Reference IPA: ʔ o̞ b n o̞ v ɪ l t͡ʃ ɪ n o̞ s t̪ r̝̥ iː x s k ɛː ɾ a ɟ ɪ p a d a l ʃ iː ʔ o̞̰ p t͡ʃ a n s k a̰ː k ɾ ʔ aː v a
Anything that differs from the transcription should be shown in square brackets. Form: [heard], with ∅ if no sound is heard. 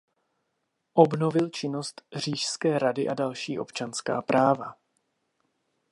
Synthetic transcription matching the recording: ʔ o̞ b n o̞ v ɪ l t͡ʃ ɪ n o̞ s t̪ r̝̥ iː [ʃ] s k ɛː ɾ a [d] ɪ [ʔ] a d a l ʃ iː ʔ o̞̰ p t͡ʃ a n s k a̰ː [p] ɾ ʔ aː v a